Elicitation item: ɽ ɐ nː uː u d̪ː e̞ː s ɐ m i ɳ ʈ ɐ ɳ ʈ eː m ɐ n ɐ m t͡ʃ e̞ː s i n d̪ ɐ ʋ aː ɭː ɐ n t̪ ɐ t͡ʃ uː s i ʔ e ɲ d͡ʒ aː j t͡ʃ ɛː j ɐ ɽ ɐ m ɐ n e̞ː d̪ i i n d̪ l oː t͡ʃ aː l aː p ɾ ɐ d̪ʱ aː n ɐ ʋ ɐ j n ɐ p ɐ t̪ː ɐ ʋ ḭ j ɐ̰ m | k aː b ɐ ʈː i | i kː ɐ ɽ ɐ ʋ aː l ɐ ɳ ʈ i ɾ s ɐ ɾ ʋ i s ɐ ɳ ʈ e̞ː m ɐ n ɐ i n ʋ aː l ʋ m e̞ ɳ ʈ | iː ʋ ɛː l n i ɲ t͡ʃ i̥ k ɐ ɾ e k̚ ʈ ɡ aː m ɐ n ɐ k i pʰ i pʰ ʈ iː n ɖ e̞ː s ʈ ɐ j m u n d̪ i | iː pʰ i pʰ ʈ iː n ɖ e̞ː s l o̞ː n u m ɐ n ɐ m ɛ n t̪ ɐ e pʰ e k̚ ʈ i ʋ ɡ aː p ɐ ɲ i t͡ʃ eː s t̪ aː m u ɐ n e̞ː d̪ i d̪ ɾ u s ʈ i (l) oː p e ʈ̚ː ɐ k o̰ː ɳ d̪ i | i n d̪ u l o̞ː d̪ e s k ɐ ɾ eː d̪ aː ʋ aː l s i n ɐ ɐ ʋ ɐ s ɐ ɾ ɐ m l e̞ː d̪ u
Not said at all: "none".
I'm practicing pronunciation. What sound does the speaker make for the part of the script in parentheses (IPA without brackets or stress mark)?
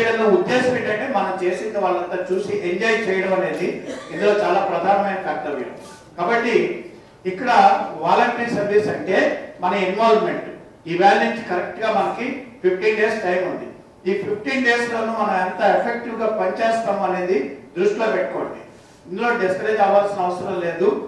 l